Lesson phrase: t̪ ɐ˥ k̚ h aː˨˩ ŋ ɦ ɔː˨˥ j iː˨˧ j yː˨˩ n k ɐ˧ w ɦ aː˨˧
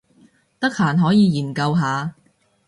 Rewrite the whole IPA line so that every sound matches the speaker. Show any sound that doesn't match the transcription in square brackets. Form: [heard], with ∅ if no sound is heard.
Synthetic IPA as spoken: t̪ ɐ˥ k̚ h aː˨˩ [n] ɦ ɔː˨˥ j iː˨˧ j [iː˨˩] n k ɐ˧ w ɦ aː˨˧